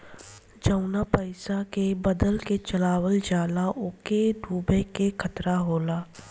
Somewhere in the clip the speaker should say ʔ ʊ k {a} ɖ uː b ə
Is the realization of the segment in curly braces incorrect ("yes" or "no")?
yes